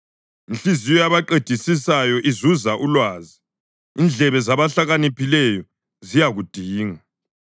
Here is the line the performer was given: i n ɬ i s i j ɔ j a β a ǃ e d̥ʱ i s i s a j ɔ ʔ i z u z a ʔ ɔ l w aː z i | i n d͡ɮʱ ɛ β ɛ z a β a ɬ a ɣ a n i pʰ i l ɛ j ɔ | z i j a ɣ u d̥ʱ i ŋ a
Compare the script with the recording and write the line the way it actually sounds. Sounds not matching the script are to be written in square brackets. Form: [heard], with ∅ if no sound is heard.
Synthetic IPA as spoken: i n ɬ i [z] i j ɔ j a β a ǃ e d̥ʱ i s i s a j ɔ ʔ i z u z a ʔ [u] l w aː z i | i n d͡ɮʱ ɛ β ɛ z a β a ɬ a ɣ a n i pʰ i l ɛ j ɔ | z i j a ɣ u d̥ʱ [iː] ŋ a

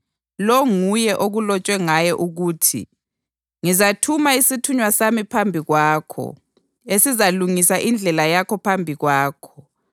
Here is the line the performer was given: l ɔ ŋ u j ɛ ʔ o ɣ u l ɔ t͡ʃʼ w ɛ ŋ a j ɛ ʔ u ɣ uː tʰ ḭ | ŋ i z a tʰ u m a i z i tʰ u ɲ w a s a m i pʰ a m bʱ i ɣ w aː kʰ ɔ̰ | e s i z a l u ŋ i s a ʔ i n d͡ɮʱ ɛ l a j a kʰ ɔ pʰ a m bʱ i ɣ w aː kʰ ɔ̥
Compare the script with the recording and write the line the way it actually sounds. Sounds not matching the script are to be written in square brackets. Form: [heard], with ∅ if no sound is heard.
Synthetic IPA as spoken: l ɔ ŋ u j ɛ ʔ o ɣ u l ɔ t͡ʃʼ w ɛ ŋ a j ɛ ʔ u ɣ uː tʰ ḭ | ŋ i z a tʰ u m a i [s] i tʰ u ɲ w a s a m i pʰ a m bʱ i ɣ w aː kʰ ɔ̰ | e s i z a l u ŋ i s a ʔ i n d͡ɮʱ ɛ l a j a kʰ ɔ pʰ a m bʱ i ɣ w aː kʰ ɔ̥

